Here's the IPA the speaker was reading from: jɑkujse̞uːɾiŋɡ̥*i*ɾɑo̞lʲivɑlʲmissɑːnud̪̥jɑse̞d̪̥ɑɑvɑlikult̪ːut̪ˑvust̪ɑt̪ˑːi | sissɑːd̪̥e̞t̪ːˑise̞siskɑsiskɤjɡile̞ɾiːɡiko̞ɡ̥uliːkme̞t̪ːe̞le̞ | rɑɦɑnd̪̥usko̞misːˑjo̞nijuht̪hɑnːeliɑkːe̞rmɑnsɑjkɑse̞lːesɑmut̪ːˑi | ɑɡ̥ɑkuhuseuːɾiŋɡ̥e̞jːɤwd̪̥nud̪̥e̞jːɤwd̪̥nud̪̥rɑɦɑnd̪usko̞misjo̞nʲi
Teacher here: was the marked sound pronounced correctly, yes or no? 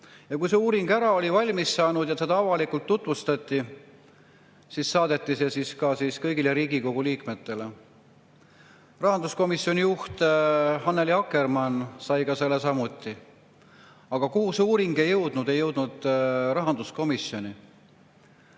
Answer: no